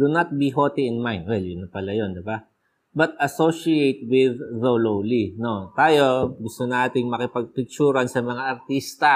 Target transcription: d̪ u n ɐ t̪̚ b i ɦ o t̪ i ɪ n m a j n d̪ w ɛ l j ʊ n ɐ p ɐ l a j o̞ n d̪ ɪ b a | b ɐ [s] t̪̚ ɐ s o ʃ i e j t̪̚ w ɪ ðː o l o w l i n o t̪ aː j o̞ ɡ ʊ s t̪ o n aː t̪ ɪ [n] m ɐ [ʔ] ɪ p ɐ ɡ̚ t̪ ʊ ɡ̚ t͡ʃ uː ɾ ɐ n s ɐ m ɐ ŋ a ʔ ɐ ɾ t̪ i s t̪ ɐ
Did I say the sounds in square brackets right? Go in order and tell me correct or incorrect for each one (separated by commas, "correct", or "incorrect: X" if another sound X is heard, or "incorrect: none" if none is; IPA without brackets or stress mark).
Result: incorrect: none, incorrect: ŋ, incorrect: k